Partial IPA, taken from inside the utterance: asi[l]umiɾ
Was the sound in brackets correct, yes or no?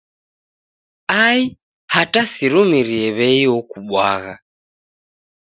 no